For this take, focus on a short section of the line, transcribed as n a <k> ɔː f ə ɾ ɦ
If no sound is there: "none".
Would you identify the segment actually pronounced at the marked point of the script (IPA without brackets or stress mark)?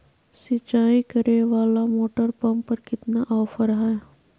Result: ʔ